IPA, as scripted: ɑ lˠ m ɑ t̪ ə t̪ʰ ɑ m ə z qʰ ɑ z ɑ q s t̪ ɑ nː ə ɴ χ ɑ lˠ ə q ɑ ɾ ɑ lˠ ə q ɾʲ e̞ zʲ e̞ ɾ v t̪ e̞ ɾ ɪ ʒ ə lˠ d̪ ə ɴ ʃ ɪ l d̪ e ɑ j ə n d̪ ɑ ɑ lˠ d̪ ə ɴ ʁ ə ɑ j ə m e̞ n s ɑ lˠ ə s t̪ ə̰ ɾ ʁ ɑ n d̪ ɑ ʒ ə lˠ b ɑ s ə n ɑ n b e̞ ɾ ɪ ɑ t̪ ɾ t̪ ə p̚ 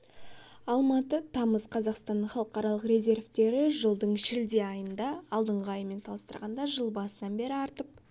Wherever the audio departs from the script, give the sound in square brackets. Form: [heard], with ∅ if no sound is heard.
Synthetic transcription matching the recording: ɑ lˠ m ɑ t̪ ə t̪ʰ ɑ m ə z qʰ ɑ z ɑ q s t̪ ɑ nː ə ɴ χ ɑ lˠ ə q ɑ ɾ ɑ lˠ ə q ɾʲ e̞ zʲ e̞ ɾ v t̪ e̞ ɾ ɪ ʒ ə lˠ d̪ ə ɴ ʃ ɪ l d̪ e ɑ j ə n d̪ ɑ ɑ lˠ d̪ ə ɴ ʁ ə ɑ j ə m e̞ n s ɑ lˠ ə s t̪ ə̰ ɾ ʁ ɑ n d̪ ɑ ʒ ə lˠ b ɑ s ə n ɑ n b e̞ ɾ ɪ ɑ [∅] ɾ t̪ ə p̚